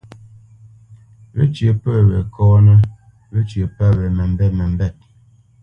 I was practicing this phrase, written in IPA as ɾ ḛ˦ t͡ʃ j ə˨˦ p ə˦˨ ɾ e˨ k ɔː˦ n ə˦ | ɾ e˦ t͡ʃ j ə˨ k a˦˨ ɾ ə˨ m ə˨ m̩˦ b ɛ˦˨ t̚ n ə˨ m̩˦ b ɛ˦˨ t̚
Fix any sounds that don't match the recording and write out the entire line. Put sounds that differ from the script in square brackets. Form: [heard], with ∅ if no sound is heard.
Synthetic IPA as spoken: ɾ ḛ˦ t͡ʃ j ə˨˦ p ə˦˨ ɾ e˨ k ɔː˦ n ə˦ | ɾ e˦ t͡ʃ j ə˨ [p] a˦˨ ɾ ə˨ m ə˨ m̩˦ b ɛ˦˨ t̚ [m] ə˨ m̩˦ b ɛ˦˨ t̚